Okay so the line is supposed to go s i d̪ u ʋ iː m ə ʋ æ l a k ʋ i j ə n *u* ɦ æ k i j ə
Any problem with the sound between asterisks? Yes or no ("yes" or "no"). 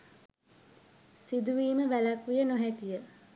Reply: yes